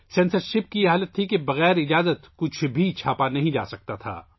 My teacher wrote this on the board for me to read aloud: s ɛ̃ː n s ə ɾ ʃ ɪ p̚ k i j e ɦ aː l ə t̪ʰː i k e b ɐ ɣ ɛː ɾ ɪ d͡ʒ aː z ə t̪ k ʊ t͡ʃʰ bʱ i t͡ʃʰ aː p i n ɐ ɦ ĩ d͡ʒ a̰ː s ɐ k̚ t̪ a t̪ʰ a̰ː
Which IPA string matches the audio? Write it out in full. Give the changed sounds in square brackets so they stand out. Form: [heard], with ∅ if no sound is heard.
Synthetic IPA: s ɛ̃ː n s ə ɾ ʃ ɪ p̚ k i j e ɦ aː l ə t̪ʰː i k e b ɐ ɣ ɛː ɾ ɪ d͡ʒ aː z ə t̪ k ʊ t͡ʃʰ bʱ i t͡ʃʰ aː p [a] n ɐ ɦ ĩ d͡ʒ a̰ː s ɐ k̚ t̪ a t̪ʰ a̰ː

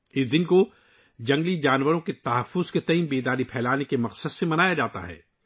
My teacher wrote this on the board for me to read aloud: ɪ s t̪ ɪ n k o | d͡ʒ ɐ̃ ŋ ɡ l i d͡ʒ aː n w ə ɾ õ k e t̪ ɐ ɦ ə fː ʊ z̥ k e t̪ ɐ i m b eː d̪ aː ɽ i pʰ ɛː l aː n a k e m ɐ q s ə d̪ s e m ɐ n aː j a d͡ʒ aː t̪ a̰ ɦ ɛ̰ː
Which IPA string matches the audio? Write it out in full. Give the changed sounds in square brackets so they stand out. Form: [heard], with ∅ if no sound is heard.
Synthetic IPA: ɪ s [d̪] ɪ n k o | d͡ʒ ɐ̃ ŋ ɡ l i d͡ʒ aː n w ə ɾ õ k e t̪ ɐ ɦ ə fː ʊ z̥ k e t̪ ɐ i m b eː d̪ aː [ɾ] i pʰ ɛː l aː n [e] k e m ɐ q s ə d̪ s e m ɐ n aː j a d͡ʒ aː t̪ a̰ ɦ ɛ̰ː

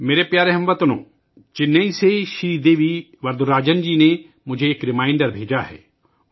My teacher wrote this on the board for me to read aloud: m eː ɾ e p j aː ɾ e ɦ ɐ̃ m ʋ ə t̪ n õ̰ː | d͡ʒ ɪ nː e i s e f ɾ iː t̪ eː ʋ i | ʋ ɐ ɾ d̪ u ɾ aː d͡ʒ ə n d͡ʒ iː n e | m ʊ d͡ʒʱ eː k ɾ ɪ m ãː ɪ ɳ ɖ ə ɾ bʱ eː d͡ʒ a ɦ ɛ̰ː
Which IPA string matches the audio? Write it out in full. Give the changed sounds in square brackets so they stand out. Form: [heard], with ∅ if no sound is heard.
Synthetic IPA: m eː ɾ e p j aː ɾ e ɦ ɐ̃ m ʋ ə t̪ n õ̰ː | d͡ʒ ɪ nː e i s e [ʃ] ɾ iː [d̪] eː ʋ i | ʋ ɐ ɾ d̪ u ɾ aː d͡ʒ ə n d͡ʒ iː n e | m ʊ d͡ʒʱ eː k ɾ ɪ m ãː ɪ ɳ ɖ ə ɾ bʱ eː d͡ʒ a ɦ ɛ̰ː

